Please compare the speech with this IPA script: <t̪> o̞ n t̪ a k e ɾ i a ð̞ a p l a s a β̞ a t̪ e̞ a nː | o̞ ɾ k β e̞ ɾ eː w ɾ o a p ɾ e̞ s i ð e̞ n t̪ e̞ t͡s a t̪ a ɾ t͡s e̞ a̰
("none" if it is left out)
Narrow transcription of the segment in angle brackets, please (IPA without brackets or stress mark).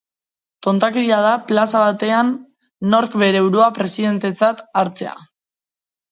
t̪